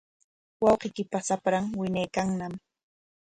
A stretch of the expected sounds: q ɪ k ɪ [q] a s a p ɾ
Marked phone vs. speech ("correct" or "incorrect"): incorrect